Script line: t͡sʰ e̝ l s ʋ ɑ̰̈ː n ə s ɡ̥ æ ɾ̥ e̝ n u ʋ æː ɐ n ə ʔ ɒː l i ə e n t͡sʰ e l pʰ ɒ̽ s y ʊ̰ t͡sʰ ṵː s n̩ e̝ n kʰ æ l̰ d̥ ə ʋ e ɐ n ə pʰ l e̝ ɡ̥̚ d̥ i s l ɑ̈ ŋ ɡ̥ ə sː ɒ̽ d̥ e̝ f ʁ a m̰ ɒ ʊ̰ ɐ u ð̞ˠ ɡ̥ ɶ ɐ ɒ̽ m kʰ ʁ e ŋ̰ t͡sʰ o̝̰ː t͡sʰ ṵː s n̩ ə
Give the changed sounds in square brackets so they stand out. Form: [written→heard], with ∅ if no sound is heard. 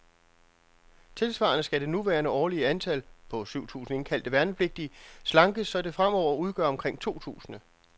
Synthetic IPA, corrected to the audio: t͡sʰ e̝ l s ʋ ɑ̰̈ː n ə s ɡ̥ æ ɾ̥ e̝ n u ʋ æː ɐ n ə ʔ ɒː l i ə [e→æ] n t͡sʰ [e→æ] l pʰ ɒ̽ s y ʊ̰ t͡sʰ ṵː s n̩ e̝ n kʰ æ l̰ d̥ ə ʋ [e→æ] ɐ n ə pʰ l e̝ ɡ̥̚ d̥ i s l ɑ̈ ŋ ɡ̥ ə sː ɒ̽ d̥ e̝ f ʁ a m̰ ɒ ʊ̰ ɐ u ð̞ˠ ɡ̥ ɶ ɐ ɒ̽ m kʰ ʁ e ŋ̰ t͡sʰ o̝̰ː t͡sʰ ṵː s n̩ ə